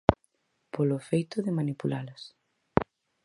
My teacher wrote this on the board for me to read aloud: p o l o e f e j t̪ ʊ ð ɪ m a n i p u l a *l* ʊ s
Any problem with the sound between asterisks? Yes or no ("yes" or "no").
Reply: no